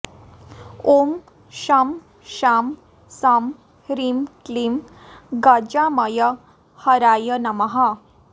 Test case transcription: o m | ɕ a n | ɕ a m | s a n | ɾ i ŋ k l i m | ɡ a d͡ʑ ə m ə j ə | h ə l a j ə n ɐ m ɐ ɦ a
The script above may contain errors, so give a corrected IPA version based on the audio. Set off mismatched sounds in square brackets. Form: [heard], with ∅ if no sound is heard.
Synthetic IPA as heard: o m | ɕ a [m] | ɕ a m | s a [m] | ɾ i [m] k l i m | ɡ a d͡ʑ [a] m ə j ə | h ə [ɾ] a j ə n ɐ m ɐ ɦ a